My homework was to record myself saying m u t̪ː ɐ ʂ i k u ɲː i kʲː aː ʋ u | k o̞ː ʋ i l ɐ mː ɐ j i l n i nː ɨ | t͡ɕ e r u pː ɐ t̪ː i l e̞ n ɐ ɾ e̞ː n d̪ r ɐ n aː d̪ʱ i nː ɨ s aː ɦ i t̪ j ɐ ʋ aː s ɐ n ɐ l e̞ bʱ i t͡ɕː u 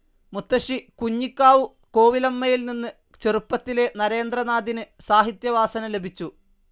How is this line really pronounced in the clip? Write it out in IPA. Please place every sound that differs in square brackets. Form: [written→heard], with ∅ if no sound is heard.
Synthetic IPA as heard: m u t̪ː ɐ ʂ i k u ɲː i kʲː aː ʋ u | k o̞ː ʋ i l ɐ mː ɐ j i l n i nː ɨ | t͡ɕ e r u pː ɐ t̪ː i l e̞ n ɐ ɾ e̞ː n d̪ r ɐ n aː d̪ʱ i [nː→n] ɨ s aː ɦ i t̪ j ɐ ʋ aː s ɐ n ɐ l e̞ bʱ i t͡ɕː u